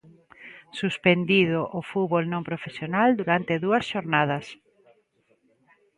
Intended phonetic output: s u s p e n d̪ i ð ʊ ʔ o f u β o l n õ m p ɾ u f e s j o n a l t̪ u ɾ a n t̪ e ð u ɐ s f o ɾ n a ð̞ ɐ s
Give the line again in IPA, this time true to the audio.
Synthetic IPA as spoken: s u s p e n d̪ i ð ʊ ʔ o f u β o l n õ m p ɾ o f e s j o n a l d̪ u ɾ a n t̪ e ð u ɐ s ʃ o ɾ n a ð̞ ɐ s